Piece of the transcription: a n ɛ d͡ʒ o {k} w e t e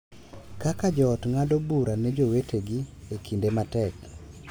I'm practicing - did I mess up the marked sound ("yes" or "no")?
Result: yes